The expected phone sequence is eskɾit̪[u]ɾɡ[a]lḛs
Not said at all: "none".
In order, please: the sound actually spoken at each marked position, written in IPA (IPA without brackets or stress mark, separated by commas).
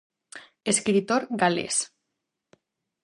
o, a